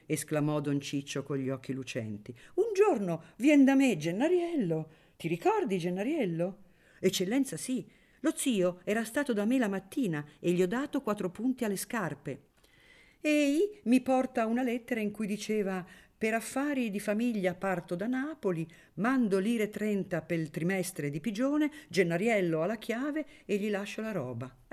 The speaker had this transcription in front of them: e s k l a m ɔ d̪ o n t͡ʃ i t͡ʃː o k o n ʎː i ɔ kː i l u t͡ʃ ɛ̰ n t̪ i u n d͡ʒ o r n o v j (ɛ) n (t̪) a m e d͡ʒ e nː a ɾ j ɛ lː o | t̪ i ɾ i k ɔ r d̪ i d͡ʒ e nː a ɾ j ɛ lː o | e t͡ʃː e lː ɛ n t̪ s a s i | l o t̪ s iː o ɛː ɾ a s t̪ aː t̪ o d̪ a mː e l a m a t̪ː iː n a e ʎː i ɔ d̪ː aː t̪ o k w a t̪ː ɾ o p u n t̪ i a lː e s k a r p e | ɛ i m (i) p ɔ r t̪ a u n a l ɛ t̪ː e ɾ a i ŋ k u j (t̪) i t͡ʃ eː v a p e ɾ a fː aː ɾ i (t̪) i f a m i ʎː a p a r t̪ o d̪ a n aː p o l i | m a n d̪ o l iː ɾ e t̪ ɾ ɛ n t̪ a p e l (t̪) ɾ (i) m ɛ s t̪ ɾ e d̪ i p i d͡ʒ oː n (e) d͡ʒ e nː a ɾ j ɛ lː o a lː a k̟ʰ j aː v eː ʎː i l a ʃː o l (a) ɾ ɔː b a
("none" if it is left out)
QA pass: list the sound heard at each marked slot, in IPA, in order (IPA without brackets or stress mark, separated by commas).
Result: ɛ, d̪, i, d̪, d̪, t̪, i, e, a